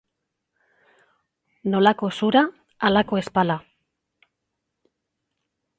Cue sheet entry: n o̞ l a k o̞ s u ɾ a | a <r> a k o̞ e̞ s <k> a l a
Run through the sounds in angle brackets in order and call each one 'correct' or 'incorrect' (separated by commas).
incorrect, incorrect